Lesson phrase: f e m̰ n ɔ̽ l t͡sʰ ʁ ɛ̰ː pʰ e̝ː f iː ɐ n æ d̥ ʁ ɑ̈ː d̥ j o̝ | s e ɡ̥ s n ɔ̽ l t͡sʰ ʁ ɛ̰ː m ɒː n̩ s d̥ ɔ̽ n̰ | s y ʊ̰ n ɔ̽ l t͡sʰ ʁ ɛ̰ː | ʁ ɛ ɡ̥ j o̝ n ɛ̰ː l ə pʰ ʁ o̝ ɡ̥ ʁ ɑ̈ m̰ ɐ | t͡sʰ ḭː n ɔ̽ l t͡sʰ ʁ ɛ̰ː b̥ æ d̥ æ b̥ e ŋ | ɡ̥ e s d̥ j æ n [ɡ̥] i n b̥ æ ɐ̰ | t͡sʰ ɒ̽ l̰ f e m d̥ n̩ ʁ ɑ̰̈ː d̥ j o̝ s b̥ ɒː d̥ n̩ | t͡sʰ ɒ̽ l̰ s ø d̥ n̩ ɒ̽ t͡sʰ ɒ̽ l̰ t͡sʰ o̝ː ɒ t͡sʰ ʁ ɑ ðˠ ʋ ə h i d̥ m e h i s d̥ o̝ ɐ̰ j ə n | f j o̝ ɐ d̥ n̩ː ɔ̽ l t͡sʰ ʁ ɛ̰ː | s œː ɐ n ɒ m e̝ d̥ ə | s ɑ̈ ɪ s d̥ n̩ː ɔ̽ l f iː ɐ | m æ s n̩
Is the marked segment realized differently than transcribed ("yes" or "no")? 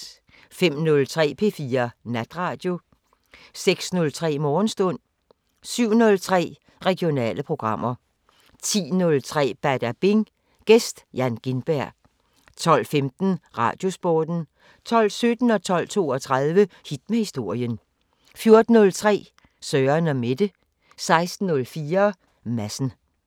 no